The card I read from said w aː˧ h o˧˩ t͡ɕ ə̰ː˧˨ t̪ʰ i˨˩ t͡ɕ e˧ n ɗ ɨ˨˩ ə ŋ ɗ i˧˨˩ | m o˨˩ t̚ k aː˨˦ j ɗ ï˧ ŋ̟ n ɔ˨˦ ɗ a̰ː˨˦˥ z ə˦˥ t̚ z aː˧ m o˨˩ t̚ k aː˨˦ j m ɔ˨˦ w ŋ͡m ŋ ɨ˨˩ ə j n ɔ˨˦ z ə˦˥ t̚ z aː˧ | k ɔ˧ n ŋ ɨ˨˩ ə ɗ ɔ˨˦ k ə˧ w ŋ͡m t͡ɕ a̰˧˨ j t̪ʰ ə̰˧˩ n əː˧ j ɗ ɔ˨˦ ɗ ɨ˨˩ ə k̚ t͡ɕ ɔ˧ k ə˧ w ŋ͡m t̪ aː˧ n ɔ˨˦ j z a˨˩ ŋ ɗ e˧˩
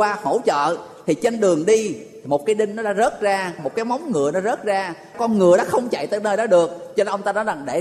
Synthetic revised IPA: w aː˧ h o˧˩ t͡ɕ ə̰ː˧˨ t̪ʰ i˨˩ t͡ɕ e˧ n ɗ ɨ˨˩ ə ŋ ɗ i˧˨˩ | m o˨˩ t̚ k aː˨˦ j ɗ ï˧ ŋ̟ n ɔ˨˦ ɗ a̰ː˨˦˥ z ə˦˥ t̚ z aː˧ m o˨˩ t̚ k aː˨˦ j m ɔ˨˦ w ŋ͡m ŋ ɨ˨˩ ə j n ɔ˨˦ z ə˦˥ t̚ z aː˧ | k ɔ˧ n ŋ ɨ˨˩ ə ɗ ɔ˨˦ x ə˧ w ŋ͡m t͡ɕ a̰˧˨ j t̪ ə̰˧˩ n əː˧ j ɗ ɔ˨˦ ɗ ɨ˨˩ ə k̚ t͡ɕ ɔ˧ ʔ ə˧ w ŋ͡m t̪ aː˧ n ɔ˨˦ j z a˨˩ ŋ ɗ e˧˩